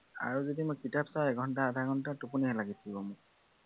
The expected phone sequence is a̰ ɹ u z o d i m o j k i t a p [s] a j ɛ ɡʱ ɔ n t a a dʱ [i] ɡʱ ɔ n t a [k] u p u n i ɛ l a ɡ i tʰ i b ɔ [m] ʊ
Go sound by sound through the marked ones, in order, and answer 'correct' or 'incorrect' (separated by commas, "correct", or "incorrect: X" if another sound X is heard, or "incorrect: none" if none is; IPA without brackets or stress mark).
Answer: correct, incorrect: a, incorrect: t, correct